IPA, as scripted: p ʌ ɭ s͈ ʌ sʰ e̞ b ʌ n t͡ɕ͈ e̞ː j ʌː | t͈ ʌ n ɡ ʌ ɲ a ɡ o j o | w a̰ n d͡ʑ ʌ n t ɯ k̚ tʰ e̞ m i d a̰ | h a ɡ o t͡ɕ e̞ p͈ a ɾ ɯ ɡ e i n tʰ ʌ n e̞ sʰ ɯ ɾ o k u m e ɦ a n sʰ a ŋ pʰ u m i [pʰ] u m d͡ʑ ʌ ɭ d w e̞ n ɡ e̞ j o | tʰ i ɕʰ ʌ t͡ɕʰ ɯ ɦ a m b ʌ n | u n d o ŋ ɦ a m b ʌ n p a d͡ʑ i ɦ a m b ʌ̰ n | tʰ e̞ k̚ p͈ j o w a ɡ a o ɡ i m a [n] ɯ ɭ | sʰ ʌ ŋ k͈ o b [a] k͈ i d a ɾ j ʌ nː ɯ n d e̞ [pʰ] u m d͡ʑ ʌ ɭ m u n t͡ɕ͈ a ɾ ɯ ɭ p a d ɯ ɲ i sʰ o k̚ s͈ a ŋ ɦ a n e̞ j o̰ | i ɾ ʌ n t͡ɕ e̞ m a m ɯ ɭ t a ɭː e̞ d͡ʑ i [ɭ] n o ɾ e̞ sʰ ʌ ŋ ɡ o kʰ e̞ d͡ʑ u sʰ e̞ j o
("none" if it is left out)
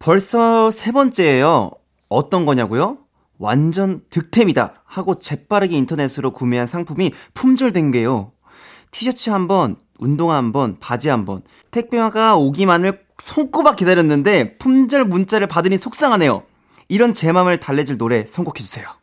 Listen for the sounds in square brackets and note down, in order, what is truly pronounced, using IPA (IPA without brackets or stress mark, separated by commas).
pʰ, n, a, pʰ, ɭ